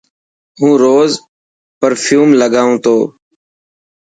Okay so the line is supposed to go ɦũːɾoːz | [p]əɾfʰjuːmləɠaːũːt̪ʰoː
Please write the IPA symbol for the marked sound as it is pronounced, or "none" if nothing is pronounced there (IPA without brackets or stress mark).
p